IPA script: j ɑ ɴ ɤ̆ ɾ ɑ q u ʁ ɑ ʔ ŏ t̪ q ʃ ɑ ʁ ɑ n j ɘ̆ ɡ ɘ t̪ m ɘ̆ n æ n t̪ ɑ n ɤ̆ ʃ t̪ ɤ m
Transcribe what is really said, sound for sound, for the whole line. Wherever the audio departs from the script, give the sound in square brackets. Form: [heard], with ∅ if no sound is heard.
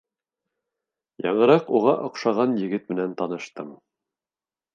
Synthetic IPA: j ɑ ɴ ɤ̆ ɾ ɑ q u ʁ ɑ ʔ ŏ [∅] q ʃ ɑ ʁ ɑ n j ɘ̆ ɡ ɘ t̪ m ɘ̆ n æ n t̪ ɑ n ɤ̆ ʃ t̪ ɤ m